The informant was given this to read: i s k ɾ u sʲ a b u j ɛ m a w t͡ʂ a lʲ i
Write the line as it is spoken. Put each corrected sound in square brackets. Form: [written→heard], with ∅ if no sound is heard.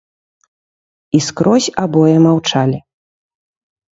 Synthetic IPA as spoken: i s k ɾ [u→ɔ] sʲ a b [u→ɔ] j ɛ m a w t͡ʂ a lʲ i

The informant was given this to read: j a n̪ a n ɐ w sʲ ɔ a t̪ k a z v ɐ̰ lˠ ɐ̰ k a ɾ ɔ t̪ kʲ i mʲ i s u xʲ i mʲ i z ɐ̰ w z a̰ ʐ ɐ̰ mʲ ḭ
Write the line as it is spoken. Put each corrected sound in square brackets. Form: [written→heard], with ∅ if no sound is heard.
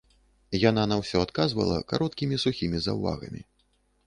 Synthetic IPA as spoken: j a n̪ a n ɐ w sʲ ɔ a t̪ k a z v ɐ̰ lˠ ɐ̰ k a ɾ ɔ t̪ kʲ i mʲ i s u xʲ i mʲ i z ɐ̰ w [z→v] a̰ [ʐ→ɣ] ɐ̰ mʲ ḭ

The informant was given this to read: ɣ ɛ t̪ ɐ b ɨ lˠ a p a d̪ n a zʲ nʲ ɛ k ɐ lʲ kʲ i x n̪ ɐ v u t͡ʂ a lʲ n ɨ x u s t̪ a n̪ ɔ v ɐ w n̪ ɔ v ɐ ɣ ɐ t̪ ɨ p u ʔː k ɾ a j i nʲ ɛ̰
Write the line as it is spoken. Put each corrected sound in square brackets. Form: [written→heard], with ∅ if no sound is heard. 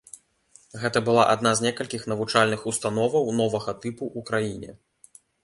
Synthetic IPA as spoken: ɣ ɛ t̪ ɐ b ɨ lˠ a [p→ʔ] a d̪ n a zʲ nʲ ɛ k ɐ lʲ kʲ i x n̪ ɐ v u t͡ʂ a lʲ n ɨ x u s t̪ a n̪ ɔ v ɐ w n̪ ɔ v ɐ ɣ ɐ t̪ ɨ p u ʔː k ɾ a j i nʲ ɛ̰

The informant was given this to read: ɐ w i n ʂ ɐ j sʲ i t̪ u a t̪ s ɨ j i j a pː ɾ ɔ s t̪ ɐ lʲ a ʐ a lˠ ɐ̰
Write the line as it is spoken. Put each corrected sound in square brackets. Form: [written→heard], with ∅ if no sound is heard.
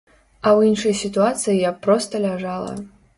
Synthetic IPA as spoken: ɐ w i n ʂ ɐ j sʲ i t̪ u a t̪ s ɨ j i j a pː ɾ ɔ s t̪ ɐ lʲ a ʐ a lˠ ɐ̰

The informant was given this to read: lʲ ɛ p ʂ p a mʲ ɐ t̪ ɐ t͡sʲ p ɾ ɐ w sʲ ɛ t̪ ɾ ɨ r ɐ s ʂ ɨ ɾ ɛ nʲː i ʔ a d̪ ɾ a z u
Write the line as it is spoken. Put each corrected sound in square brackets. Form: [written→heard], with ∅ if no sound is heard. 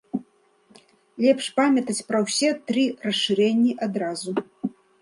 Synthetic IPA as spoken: lʲ ɛ p ʂ p a mʲ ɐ t̪ ɐ t͡sʲ p ɾ ɐ w sʲ ɛ t̪ ɾ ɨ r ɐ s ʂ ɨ ɾ ɛ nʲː i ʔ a d̪ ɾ a z u

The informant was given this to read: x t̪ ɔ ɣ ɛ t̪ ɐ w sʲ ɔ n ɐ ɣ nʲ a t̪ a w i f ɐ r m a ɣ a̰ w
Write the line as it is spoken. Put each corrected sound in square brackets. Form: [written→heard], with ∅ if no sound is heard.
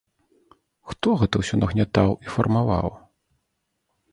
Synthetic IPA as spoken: x t̪ ɔ ɣ ɛ t̪ ɐ w sʲ ɔ n ɐ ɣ nʲ a t̪ a w i f ɐ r m a [ɣ→v] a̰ w

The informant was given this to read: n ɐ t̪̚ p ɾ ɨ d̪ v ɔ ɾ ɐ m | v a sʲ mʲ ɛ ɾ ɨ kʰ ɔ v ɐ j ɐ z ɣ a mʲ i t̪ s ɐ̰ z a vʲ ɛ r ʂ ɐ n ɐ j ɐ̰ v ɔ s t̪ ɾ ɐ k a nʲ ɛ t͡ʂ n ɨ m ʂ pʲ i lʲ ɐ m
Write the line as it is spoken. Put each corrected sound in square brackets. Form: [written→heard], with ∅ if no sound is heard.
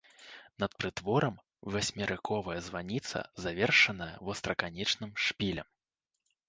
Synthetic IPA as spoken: n ɐ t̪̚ p ɾ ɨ [d̪→t̪] v ɔ ɾ ɐ m | v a sʲ mʲ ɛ ɾ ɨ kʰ ɔ v ɐ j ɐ z [ɣ→v] a [mʲ→nʲ] i t̪ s ɐ̰ z a vʲ ɛ r ʂ ɐ n ɐ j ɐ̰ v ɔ s t̪ ɾ ɐ k a nʲ ɛ t͡ʂ n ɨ m ʂ pʲ i lʲ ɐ m

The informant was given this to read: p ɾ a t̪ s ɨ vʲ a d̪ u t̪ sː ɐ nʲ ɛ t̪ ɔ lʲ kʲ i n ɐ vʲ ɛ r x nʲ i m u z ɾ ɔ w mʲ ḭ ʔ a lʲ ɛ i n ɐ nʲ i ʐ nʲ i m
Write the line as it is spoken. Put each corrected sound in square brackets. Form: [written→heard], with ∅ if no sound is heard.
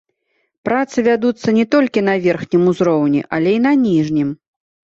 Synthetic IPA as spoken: p ɾ a t̪ s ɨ vʲ a d̪ u t̪ sː ɐ nʲ ɛ t̪ ɔ lʲ kʲ i n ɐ vʲ ɛ r x nʲ i m u z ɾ ɔ w [mʲ→nʲ] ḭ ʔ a lʲ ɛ i n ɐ nʲ i ʐ nʲ i m

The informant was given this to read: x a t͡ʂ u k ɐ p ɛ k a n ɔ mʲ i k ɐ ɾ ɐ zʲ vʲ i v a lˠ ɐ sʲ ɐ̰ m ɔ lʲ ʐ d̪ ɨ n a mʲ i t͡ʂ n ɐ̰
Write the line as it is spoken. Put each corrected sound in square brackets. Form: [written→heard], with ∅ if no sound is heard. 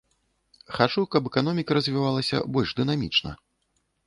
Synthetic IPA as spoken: x a t͡ʂ u k ɐ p ɛ k a n ɔ mʲ i k ɐ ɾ ɐ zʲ vʲ i v a lˠ ɐ sʲ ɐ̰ [m→b] ɔ lʲ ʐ d̪ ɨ n a mʲ i t͡ʂ n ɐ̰

